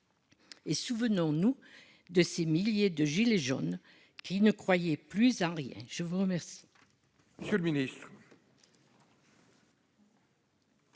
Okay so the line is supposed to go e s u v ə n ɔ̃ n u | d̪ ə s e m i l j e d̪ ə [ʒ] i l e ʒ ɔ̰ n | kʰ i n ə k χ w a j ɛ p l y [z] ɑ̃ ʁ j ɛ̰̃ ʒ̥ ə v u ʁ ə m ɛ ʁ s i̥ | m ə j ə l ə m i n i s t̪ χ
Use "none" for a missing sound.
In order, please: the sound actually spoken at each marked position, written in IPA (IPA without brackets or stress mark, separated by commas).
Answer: ʒ, z